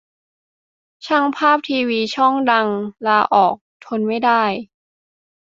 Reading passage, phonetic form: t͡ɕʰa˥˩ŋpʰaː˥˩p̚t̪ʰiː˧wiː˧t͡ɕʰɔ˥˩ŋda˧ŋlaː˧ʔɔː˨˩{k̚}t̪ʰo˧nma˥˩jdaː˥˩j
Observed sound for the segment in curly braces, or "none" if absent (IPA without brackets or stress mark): k̚